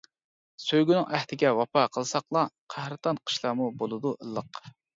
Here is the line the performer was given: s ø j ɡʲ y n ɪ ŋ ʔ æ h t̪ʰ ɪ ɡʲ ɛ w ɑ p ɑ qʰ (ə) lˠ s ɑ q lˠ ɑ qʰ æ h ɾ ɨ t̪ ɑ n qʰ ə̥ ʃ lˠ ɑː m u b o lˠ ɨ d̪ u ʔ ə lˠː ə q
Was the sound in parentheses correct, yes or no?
yes